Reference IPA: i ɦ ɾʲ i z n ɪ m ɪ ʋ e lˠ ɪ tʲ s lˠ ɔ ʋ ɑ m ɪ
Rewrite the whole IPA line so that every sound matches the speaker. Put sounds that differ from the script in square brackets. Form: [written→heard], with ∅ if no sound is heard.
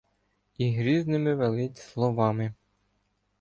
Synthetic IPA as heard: i ɦ ɾʲ i z n ɪ m ɪ ʋ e lˠ ɪ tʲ s lˠ ɔ ʋ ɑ m ɪ